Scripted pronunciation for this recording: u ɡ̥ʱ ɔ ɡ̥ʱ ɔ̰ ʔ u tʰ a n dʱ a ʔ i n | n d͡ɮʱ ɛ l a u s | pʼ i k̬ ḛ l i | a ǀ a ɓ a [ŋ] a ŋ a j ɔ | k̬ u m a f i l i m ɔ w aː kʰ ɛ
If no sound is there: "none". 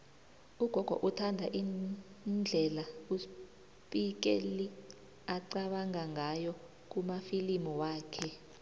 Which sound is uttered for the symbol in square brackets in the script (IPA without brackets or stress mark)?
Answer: ŋ